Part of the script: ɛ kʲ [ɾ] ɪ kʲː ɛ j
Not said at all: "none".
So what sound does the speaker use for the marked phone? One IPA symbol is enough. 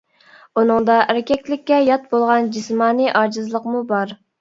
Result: l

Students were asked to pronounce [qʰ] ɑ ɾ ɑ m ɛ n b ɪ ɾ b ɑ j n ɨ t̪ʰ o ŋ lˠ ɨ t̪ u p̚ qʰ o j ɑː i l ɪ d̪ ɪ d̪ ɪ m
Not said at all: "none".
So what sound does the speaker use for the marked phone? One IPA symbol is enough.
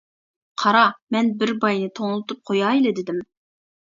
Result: qʰ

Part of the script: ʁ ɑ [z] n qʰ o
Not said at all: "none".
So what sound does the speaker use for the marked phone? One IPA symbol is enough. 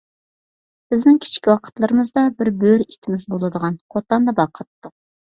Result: none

